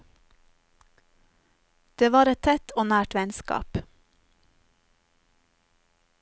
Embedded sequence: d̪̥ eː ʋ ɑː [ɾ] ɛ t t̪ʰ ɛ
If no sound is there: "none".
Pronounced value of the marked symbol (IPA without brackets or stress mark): ɾ